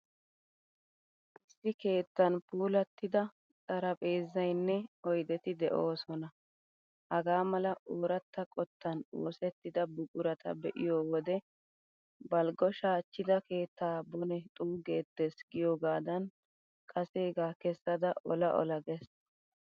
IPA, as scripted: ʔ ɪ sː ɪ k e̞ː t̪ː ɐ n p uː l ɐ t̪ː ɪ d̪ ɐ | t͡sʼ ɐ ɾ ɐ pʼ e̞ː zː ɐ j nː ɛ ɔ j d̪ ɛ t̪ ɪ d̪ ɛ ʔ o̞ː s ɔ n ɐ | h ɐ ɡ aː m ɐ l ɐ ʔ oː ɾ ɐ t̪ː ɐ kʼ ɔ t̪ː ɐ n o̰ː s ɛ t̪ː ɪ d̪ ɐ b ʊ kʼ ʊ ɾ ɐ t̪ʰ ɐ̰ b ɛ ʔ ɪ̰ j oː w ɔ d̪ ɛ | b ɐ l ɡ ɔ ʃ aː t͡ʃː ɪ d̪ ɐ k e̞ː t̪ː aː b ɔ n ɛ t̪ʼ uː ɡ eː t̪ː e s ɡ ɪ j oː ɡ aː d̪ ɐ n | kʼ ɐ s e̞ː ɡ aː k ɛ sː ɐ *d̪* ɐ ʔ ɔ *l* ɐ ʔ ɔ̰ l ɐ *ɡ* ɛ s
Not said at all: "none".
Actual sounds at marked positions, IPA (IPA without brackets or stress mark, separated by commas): d̪, l, ɡ